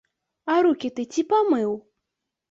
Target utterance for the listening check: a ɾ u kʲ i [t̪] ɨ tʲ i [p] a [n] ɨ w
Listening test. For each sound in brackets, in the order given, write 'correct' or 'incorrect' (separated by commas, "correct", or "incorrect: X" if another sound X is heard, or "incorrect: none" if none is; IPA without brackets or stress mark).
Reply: correct, correct, incorrect: m